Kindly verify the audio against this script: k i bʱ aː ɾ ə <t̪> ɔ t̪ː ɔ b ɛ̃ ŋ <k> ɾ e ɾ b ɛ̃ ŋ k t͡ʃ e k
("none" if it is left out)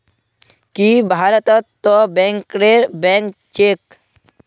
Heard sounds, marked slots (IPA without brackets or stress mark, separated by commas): t̪, k